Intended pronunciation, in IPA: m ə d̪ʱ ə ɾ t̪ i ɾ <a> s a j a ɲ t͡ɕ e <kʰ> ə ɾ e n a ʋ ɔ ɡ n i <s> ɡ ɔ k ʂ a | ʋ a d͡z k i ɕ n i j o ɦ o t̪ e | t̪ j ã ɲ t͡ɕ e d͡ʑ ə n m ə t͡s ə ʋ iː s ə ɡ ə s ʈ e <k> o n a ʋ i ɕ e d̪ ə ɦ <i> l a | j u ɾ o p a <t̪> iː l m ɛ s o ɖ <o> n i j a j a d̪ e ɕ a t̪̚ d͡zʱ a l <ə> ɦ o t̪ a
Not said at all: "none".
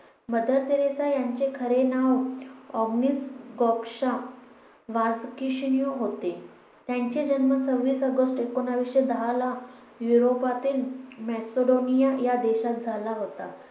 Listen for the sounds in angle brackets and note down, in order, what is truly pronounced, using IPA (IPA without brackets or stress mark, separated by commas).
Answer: e, kʰ, s, k, a, t̪, o, a